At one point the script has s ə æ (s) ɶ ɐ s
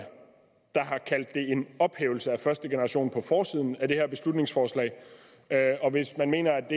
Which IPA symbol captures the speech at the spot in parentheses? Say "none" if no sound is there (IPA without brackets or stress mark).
f